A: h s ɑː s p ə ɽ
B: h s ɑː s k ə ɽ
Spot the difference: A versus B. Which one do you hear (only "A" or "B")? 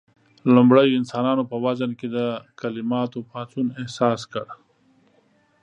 B